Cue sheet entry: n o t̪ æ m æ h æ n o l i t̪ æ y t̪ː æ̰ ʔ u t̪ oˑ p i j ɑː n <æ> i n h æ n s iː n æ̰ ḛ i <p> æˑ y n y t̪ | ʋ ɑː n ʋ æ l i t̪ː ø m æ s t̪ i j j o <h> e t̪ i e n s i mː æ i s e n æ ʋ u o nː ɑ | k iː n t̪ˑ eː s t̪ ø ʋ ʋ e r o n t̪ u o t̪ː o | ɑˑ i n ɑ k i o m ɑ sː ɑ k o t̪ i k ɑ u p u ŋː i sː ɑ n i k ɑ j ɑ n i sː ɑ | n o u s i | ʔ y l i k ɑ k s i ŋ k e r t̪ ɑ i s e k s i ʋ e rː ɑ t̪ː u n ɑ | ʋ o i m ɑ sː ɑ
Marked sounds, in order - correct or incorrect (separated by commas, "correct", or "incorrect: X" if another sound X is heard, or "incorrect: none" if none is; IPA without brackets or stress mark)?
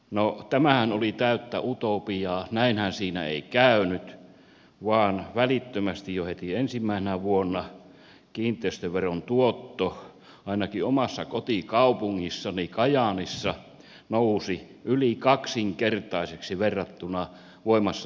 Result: correct, incorrect: k, correct